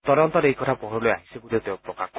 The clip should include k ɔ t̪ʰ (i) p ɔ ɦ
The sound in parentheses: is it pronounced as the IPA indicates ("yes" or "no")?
no